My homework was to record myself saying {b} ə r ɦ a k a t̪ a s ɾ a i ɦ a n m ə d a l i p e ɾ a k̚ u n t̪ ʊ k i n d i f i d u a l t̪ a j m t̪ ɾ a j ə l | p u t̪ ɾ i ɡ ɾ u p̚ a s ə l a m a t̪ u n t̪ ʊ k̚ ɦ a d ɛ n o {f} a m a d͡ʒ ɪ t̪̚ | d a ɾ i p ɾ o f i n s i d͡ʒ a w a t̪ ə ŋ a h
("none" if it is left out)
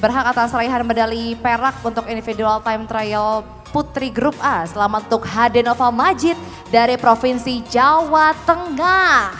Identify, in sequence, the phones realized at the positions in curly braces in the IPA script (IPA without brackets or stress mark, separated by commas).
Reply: b, f